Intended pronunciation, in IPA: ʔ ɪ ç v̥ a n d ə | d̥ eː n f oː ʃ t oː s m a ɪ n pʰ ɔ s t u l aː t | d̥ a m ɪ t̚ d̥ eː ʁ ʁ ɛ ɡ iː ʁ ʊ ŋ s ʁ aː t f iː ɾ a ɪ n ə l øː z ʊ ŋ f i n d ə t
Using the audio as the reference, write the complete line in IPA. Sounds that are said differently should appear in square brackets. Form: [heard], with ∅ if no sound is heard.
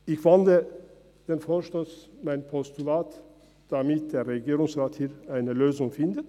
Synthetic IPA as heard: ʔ ɪ ç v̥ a n d ə | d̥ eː n f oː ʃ t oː s m a ɪ n pʰ ɔ s t u l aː t | d̥ a m ɪ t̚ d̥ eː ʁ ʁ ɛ ɡ iː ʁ ʊ ŋ s ʁ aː t [h] iː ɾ a ɪ n ə l øː z ʊ ŋ f [ɪ] n d ə t